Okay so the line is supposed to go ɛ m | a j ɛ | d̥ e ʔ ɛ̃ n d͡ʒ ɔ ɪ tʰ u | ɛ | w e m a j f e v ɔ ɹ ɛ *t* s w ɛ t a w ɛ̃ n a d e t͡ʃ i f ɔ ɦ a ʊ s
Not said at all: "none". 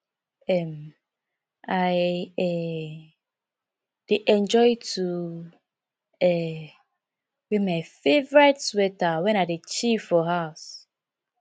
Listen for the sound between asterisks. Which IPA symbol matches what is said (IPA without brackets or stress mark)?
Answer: t